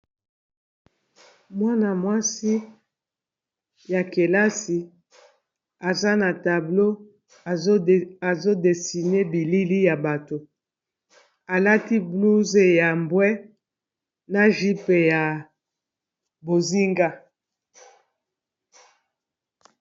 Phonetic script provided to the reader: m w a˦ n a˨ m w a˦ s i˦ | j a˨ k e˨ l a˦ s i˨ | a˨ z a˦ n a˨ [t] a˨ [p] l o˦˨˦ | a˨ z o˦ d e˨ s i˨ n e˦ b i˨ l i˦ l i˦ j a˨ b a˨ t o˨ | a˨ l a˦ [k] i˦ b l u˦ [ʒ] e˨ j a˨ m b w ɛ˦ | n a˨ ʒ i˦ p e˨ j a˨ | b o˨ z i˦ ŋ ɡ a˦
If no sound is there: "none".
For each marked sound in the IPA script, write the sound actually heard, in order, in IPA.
t, b, t, z

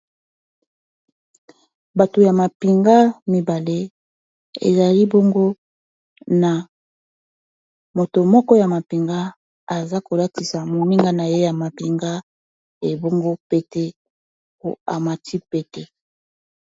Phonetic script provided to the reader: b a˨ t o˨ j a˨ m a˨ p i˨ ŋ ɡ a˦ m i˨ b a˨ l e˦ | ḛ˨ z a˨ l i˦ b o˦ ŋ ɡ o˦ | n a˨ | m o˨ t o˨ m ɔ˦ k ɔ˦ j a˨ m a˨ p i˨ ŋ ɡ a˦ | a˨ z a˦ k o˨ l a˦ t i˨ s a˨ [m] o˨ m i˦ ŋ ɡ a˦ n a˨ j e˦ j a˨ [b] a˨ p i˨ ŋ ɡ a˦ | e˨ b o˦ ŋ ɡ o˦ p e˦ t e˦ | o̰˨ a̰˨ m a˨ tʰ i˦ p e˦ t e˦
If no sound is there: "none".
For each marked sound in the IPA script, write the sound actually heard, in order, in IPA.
m, m

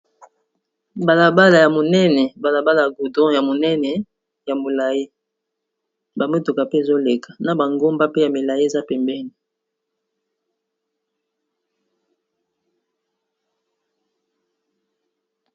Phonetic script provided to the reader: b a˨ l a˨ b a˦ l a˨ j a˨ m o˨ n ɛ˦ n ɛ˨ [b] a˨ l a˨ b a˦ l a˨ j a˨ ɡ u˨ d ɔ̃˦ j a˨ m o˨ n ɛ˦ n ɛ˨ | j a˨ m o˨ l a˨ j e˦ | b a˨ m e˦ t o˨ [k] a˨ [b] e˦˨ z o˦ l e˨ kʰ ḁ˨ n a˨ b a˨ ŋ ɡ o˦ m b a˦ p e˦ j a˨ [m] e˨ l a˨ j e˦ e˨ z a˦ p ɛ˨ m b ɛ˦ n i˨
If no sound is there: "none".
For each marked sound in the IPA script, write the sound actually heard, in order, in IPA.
b, k, p, m

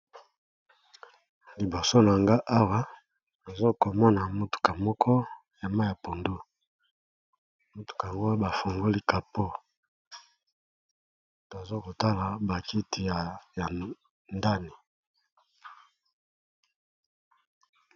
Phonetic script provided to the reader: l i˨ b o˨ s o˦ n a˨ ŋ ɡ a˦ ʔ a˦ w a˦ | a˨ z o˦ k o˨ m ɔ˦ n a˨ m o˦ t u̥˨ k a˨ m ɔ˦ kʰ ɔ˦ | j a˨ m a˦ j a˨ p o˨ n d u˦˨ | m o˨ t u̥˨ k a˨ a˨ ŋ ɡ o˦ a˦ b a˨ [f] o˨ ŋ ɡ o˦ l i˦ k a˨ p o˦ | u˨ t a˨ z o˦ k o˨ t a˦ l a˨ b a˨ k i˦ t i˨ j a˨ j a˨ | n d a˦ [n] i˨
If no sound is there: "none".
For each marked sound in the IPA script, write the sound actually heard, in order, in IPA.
f, n

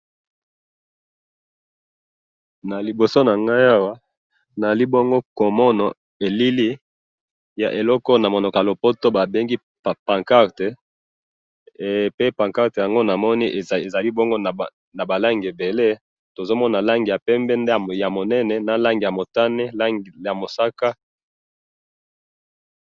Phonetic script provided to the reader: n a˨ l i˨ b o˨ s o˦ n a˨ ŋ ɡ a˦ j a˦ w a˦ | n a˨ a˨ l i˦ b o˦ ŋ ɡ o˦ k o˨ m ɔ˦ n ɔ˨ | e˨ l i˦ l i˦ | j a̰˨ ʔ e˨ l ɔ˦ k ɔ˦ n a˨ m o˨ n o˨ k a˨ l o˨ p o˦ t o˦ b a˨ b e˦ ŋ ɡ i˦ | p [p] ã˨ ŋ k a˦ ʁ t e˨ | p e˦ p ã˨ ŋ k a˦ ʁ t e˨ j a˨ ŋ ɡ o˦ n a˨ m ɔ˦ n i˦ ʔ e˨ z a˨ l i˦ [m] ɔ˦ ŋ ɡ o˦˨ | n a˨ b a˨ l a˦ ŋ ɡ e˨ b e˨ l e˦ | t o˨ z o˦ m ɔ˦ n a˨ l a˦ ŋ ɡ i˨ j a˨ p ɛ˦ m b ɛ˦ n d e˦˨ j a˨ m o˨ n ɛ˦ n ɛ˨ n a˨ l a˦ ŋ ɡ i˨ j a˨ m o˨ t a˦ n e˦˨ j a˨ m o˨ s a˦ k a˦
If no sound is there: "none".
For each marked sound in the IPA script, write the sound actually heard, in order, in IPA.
p, b

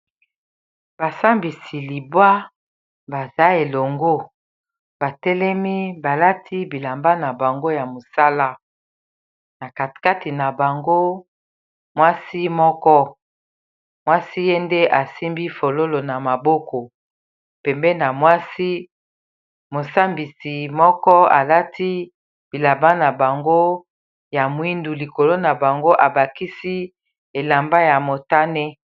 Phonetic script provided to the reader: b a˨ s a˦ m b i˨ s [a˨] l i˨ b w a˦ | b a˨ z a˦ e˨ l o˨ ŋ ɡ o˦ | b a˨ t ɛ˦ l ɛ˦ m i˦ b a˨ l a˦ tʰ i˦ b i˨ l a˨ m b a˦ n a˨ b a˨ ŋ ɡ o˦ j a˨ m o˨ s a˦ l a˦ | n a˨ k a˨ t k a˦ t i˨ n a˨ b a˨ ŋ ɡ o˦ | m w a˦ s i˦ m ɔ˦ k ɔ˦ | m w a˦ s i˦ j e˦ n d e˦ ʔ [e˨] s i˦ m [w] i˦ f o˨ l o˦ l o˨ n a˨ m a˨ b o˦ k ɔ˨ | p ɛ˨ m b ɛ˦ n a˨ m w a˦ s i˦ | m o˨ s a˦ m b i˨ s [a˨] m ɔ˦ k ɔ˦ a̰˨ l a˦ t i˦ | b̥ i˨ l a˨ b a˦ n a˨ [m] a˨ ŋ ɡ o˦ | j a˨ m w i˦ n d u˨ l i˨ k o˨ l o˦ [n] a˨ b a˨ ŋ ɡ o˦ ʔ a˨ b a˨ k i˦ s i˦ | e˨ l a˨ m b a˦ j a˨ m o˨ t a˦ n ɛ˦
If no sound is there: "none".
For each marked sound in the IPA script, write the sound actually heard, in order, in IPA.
i˨, a˨, b, i˨, b, n

